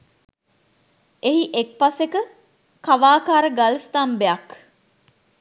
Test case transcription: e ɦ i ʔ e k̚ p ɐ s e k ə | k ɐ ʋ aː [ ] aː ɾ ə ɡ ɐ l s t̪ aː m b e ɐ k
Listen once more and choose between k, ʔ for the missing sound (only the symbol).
k